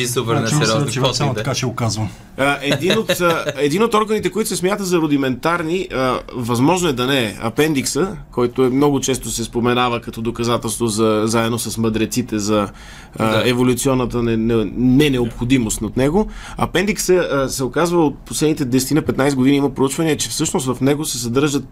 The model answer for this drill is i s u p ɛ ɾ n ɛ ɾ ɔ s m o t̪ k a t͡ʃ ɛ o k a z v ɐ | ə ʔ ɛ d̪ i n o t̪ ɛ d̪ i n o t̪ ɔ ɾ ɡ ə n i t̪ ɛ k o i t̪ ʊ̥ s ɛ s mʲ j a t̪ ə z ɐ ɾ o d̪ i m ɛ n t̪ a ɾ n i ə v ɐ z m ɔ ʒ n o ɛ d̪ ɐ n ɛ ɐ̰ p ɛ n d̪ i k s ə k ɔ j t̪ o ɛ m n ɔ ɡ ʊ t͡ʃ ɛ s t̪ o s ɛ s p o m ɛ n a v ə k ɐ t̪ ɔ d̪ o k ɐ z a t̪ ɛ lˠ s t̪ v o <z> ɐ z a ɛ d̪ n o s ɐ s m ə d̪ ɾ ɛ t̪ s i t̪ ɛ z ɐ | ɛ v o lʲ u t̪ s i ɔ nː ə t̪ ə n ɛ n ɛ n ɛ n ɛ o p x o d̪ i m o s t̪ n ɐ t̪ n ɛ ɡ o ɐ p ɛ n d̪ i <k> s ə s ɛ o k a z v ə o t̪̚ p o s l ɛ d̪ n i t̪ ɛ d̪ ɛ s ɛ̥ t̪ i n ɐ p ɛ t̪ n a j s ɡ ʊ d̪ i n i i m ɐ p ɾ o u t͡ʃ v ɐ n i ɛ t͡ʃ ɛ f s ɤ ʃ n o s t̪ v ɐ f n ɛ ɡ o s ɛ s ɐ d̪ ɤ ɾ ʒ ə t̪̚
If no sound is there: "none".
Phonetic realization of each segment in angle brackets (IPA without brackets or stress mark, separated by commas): z, k